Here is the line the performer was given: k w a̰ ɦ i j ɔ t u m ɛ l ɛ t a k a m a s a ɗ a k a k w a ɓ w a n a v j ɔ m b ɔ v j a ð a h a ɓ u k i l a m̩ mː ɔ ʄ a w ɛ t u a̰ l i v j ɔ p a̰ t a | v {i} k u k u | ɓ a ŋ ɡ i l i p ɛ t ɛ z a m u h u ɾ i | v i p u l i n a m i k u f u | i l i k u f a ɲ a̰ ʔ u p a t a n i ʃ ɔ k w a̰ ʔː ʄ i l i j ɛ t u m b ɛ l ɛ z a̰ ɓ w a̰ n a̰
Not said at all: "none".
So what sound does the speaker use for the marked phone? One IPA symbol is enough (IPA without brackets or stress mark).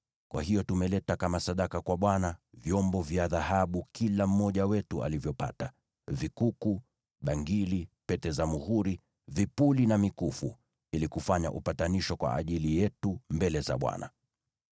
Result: i